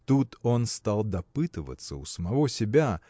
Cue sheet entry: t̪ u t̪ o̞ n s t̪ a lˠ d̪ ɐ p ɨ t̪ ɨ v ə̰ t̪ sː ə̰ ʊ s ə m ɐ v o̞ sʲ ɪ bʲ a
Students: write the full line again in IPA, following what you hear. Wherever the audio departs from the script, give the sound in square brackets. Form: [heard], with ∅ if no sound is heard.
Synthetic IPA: t̪ u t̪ o̞ n s t̪ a lˠ d̪ ɐ p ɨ t̪ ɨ v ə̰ t̪ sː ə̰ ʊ s ə m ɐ v o̞ sʲ ɪ bʲ a

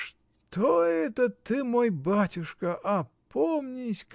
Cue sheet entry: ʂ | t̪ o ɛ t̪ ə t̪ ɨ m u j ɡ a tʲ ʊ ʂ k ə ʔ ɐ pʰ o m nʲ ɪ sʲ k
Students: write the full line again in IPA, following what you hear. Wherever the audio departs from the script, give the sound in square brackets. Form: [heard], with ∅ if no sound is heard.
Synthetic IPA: ʂ | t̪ o ɛ t̪ ə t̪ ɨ m [o] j [b] a tʲ ʊ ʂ k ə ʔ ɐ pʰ o m nʲ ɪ sʲ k

